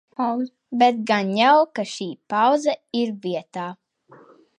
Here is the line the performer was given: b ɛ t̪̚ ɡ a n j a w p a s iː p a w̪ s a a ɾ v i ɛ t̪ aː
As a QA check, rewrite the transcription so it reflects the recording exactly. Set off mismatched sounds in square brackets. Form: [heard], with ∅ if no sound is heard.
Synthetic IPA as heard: b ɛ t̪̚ ɡ a n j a w [k] a [ʃ] iː p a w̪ [z] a [i] ɾ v i ɛ t̪ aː

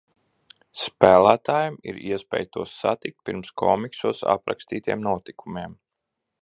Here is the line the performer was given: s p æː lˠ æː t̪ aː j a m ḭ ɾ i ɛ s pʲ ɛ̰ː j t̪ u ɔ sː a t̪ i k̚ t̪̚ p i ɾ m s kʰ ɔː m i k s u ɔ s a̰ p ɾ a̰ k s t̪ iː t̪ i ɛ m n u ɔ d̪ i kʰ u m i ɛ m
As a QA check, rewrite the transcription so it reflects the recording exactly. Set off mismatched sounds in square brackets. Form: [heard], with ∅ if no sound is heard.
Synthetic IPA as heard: s p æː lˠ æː t̪ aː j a m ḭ ɾ i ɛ s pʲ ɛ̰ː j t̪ u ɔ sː a t̪ i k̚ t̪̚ p i ɾ m s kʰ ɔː m i k s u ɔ s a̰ p ɾ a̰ k s t̪ iː t̪ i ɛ m n u ɔ [t̪] i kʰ u m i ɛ m

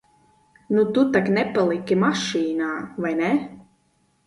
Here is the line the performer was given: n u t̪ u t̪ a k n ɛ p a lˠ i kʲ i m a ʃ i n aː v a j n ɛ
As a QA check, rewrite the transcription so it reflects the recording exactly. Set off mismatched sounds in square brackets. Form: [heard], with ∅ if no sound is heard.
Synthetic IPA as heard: n u t̪ u t̪ a k n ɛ p a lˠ i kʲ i m a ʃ [iː] n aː v a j n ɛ

